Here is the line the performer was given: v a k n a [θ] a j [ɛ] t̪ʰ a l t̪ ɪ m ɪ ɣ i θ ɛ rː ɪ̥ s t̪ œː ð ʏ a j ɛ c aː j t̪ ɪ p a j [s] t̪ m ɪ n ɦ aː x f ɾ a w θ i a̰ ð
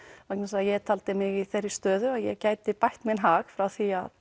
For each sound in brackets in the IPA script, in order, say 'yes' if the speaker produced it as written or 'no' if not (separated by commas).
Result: no, yes, no